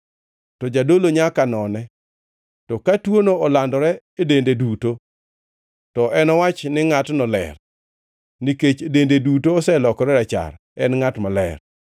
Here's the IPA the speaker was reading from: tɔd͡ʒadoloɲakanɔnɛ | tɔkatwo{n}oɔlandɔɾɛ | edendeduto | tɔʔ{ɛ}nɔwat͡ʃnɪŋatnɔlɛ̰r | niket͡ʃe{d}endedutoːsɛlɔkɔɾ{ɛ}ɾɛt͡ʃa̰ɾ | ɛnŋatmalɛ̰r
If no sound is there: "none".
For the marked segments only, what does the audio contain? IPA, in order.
n, ɛ, d, ɛ

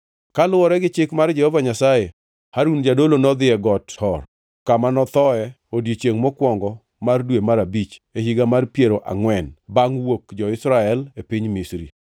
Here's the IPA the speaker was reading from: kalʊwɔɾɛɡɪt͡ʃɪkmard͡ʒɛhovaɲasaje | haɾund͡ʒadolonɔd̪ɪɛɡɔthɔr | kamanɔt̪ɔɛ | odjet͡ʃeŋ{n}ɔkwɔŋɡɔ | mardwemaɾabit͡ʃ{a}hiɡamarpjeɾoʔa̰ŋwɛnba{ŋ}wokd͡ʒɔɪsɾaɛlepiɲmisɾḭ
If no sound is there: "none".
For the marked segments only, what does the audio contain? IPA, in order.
m, e, ŋ

